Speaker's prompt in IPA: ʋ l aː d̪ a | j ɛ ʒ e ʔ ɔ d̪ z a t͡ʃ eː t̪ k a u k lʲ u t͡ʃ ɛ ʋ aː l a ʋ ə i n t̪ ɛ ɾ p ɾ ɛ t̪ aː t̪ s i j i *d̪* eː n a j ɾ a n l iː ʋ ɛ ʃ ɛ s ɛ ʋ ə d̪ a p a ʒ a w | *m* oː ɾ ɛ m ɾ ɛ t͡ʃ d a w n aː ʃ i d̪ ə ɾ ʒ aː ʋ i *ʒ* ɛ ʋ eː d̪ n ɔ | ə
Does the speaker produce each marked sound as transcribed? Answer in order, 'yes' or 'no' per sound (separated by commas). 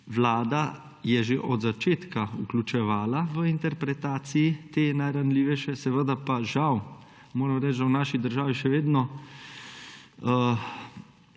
no, yes, no